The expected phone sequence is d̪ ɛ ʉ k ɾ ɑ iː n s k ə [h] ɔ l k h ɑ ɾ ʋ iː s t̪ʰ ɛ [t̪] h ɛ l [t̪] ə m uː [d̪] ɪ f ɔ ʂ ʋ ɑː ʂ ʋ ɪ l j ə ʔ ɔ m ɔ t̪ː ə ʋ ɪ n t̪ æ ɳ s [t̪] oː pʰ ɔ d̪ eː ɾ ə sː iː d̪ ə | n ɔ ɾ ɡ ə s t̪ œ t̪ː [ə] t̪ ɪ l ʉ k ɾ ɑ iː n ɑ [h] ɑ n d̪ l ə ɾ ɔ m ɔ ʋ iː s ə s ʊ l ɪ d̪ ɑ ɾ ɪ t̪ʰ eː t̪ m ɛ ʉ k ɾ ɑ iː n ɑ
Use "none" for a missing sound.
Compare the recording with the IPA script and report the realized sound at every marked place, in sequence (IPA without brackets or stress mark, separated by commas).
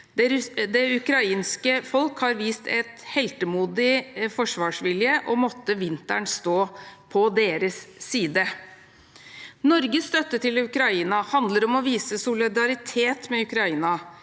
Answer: f, t̪, t̪, d̪, t̪, ə, h